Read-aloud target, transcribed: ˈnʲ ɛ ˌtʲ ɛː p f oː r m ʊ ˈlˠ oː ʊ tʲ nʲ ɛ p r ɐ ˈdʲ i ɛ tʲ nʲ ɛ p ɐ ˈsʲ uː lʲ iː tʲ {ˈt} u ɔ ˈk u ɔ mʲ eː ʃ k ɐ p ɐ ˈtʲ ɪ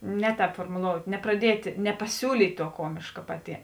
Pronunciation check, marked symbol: correct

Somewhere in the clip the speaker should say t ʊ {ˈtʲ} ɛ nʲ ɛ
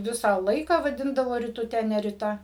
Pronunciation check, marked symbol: correct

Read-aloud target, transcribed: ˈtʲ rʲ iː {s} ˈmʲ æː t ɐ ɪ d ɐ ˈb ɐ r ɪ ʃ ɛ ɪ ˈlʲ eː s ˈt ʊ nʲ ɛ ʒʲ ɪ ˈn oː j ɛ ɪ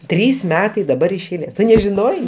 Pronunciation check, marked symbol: correct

